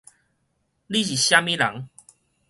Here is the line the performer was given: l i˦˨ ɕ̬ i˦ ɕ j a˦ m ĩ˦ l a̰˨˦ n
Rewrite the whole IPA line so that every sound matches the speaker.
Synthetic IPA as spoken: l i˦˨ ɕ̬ i˨ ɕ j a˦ m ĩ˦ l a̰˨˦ ŋ